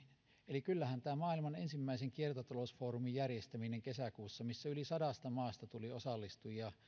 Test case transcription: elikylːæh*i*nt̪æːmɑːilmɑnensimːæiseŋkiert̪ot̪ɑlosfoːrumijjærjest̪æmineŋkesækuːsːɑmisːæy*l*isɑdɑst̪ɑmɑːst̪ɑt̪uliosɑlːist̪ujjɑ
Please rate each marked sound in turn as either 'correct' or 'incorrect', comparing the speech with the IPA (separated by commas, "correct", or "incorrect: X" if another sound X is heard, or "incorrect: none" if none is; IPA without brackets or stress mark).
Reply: incorrect: æ, correct